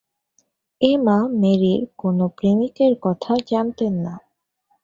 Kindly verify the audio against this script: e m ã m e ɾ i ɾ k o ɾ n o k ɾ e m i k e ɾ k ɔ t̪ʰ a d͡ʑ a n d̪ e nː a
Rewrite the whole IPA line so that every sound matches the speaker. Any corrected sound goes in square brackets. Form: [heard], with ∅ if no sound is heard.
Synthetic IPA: e m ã m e ɾ i ɾ k o [∅] n o [p] ɾ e m i k e ɾ k ɔ t̪ʰ a d͡ʑ a n [t̪] e nː a

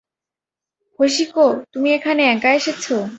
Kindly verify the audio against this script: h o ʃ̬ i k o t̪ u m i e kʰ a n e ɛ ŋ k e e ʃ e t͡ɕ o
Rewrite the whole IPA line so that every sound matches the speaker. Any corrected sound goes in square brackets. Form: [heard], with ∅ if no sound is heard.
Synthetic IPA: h o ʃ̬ i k o t̪ u m i e kʰ a n e ɛ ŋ k [a] e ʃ e [t͡ɕʰ] o

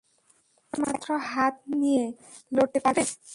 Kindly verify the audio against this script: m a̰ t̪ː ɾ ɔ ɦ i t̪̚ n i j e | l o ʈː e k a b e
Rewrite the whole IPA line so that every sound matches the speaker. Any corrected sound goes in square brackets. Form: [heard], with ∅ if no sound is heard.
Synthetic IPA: m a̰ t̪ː ɾ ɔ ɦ [a] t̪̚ n i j e | l o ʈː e [p] a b e

